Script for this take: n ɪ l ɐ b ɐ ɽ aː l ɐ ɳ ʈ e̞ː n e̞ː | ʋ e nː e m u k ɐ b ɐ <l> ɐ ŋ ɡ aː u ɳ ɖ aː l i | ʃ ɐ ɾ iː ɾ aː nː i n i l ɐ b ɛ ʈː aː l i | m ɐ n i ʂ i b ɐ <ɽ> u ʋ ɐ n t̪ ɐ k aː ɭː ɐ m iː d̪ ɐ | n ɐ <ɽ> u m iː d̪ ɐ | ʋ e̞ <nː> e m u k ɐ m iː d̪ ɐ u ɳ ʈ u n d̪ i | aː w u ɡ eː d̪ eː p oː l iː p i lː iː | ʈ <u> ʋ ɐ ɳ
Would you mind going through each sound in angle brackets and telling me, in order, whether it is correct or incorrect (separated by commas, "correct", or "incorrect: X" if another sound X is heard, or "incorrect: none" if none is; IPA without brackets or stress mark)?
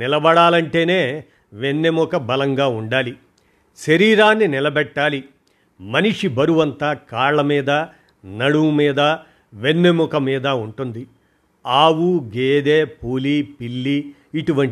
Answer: correct, incorrect: ɾ, correct, correct, correct